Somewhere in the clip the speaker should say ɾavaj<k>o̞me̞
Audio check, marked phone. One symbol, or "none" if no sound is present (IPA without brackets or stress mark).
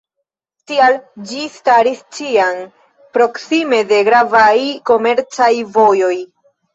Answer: k